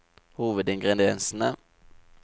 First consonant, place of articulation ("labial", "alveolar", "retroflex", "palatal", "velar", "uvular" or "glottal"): glottal